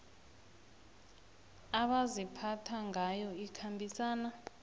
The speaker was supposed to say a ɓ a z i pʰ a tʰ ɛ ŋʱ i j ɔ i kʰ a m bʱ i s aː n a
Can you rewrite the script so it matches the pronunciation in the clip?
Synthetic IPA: a ɓ a z i pʰ a tʰ a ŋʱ a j ɔ i kʰ a m bʱ i s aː n a